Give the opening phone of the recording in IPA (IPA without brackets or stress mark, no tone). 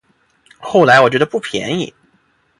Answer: x